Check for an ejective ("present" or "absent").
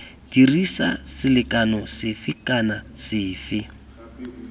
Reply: absent